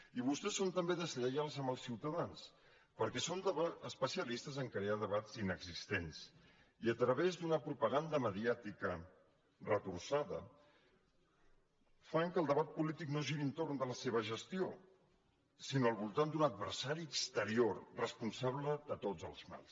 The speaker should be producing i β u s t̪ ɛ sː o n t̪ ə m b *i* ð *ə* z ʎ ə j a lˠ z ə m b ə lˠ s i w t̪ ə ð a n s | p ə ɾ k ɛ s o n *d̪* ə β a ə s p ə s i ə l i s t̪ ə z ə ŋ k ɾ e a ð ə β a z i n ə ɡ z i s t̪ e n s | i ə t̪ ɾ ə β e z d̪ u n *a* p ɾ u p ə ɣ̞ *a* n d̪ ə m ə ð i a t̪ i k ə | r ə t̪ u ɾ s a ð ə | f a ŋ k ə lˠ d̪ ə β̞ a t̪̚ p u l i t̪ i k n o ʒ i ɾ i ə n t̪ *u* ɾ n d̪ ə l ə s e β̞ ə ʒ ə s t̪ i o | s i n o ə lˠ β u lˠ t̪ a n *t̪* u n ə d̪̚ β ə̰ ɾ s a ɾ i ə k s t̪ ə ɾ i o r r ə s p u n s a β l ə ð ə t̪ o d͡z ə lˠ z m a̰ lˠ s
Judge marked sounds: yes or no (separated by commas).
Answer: no, yes, yes, no, yes, no, no